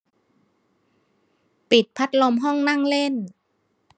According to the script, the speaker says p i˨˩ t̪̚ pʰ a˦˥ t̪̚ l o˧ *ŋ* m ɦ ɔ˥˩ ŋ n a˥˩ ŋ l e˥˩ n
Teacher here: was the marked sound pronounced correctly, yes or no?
no